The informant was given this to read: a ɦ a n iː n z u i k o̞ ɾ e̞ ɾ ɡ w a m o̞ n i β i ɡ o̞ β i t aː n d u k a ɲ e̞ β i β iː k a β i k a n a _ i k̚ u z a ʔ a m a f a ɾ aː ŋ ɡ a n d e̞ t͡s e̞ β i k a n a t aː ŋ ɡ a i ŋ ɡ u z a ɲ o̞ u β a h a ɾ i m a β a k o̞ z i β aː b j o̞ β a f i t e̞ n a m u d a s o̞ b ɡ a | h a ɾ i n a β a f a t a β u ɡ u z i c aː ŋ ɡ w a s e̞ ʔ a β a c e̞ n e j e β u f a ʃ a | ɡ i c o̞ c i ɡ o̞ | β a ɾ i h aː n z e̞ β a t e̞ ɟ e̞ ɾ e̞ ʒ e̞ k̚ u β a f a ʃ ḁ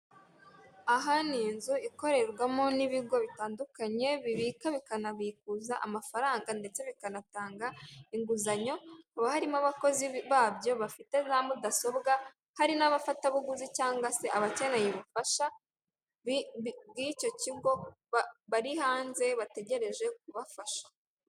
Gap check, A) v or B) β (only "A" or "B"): B